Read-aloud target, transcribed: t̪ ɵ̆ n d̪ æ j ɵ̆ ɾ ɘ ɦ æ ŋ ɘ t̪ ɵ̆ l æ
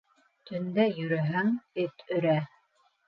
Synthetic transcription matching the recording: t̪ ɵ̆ n d̪ æ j ɵ̆ ɾ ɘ ɦ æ ŋ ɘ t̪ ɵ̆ ɾ æ

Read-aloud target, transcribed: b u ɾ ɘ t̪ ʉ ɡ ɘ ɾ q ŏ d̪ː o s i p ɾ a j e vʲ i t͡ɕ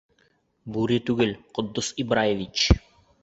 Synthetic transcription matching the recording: b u ɾ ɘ t̪ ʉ ɡ ɘ l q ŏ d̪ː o s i b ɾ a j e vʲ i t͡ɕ

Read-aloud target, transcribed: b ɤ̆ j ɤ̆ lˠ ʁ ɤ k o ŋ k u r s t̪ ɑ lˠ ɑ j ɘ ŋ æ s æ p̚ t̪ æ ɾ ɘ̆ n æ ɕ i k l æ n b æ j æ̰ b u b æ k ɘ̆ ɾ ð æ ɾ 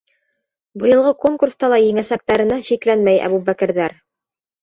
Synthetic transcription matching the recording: b ɤ̆ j ɤ̆ lˠ ʁ ɤ k o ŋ k u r s t̪ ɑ lˠ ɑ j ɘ ŋ æ s æ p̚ t̪ æ ɾ ɘ̆ n æ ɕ i k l æ n m æ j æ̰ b u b æ k ɘ̆ ɾ ð æ ɾ

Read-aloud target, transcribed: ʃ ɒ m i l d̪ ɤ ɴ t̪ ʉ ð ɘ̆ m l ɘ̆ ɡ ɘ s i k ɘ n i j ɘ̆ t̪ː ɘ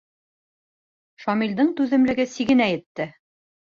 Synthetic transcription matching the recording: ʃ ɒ m i l d̪ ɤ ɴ t̪ ʉ ð ɘ̆ m l ɘ̆ ɡ ɘ s i ɡ ɘ n æ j ɘ̆ t̪ː ɘ

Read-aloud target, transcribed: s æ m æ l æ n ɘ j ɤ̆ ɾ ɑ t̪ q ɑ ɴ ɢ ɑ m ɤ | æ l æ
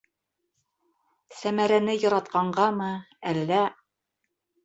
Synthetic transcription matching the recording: s æ m æ ɾ æ n ɘ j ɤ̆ ɾ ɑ t̪ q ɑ ɴ ɢ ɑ m ɤ | æ lː æ

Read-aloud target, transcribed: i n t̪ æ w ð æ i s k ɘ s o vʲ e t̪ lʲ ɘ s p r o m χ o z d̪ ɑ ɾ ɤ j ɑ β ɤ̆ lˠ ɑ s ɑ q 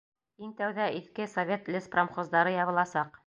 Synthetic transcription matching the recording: i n t̪ æ w ð æ i θ k ɘ s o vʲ e t̪ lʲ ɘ s p r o m χ o z d̪ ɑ ɾ ɤ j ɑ β ɤ̆ lˠ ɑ s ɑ q

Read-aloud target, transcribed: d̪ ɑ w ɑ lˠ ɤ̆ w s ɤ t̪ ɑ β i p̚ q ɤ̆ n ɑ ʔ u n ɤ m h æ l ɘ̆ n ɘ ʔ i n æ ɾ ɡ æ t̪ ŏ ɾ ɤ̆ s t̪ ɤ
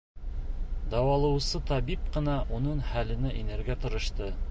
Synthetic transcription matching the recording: d̪ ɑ w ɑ lˠ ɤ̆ w s ɤ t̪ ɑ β i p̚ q ɤ̆ n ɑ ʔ u n ɤ ɴ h æ l ɘ̆ n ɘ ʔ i n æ ɾ ɡ æ t̪ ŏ ɾ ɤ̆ ʃ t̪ ɤ

